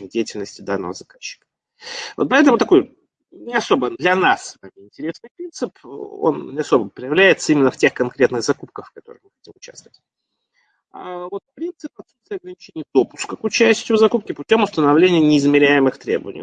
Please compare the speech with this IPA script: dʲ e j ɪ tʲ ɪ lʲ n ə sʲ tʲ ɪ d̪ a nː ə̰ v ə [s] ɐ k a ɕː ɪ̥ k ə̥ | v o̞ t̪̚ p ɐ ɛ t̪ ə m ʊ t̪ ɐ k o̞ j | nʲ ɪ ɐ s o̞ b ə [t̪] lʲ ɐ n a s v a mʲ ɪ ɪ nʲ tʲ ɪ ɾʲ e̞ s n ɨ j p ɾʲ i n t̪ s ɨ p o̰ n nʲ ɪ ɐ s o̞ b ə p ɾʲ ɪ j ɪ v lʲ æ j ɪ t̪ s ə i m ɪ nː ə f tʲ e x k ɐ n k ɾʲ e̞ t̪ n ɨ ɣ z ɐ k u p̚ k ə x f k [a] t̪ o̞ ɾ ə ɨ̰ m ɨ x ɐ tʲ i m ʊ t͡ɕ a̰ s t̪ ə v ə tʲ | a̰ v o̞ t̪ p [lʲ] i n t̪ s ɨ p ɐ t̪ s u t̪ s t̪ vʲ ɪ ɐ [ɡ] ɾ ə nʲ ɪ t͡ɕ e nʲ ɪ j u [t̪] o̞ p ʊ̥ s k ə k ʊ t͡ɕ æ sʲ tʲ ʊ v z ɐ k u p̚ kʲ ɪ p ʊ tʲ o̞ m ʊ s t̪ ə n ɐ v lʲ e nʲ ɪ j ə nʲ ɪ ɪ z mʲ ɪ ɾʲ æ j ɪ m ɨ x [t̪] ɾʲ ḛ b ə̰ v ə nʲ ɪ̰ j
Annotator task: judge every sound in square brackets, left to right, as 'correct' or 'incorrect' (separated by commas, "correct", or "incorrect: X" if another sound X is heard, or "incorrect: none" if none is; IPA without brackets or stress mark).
incorrect: z, incorrect: d̪, incorrect: ɐ, incorrect: ɾʲ, correct, incorrect: d̪, correct